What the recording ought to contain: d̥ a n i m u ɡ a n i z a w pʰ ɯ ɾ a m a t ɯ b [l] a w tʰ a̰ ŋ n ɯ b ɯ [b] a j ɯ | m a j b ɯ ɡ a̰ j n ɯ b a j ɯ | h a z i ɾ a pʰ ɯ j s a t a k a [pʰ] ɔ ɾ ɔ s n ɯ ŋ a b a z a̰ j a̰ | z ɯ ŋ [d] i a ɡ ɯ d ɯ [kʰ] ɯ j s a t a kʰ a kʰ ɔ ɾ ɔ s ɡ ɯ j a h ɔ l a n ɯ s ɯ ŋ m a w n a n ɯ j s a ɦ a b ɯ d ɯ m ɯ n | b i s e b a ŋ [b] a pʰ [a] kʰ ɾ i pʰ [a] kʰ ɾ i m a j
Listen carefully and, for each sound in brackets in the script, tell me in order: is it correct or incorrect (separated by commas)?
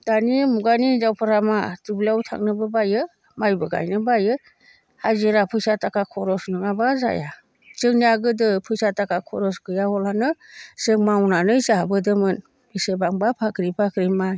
correct, correct, incorrect, incorrect, incorrect, correct, correct, correct